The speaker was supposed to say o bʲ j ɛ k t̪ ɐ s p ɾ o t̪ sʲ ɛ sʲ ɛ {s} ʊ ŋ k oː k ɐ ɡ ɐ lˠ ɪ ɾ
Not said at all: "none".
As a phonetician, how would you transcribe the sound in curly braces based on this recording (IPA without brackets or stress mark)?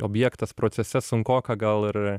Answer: s